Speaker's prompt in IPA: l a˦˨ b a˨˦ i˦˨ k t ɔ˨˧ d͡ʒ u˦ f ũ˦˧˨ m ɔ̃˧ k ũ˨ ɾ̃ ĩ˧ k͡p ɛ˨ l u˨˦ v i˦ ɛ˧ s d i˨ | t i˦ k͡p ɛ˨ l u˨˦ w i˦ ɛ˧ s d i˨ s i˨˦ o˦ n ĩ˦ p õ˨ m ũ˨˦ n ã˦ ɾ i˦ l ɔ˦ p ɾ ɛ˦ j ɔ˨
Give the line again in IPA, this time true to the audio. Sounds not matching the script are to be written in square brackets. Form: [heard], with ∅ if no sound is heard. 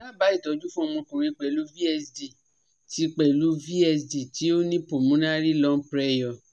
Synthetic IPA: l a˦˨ b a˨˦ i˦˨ [∅] t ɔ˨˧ d͡ʒ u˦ f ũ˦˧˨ m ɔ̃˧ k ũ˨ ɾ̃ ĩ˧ k͡p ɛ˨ l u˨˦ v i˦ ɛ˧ s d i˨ | t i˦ k͡p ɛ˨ l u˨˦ [v] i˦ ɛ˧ s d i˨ [t] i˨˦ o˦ n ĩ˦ p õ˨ m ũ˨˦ n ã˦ ɾ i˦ l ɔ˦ p ɾ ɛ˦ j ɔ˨